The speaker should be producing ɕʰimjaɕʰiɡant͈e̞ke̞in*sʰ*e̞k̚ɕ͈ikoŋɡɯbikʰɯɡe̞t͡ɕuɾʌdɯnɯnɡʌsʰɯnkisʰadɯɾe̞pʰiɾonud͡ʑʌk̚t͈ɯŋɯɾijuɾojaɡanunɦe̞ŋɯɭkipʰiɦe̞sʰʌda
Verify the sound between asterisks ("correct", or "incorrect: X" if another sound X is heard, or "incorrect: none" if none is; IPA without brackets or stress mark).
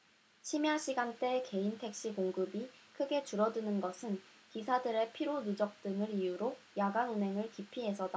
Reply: incorrect: tʰ